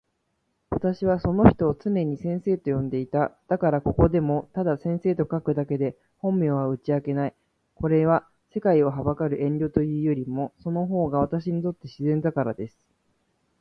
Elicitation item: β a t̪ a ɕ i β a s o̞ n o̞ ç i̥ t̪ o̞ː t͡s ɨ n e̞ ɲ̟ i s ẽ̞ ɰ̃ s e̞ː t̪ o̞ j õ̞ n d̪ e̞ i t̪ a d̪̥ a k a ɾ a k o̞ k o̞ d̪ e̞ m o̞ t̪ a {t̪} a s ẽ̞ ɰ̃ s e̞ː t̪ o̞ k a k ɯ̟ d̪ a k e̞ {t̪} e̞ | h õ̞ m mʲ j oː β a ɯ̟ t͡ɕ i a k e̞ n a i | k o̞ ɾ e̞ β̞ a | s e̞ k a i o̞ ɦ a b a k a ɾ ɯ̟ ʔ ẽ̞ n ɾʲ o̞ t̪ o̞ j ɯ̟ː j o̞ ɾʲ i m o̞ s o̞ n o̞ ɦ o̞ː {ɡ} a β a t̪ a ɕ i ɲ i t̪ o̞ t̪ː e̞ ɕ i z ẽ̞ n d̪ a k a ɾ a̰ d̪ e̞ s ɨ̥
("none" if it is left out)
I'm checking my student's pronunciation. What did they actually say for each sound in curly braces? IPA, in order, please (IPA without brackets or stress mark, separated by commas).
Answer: d̪, d̪, ɡ